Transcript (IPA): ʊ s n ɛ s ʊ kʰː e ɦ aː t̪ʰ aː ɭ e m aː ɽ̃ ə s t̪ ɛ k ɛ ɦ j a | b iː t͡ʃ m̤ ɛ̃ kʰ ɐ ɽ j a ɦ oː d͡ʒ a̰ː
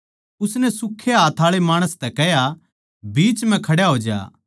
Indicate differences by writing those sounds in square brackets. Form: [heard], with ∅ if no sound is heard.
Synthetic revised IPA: ʊ s n ɛ s ʊ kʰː e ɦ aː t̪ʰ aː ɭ e m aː ɽ̃ ə s t̪ ɛ k ɛ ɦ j a | b iː t͡ʃ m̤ ɛ̃ kʰ ɐ ɽ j a ɦ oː d͡ʒ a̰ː